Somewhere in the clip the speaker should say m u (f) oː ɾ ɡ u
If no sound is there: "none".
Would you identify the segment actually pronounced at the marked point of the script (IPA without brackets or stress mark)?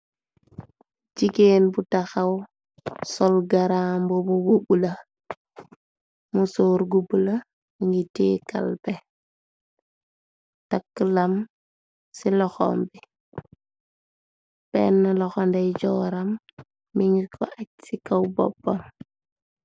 s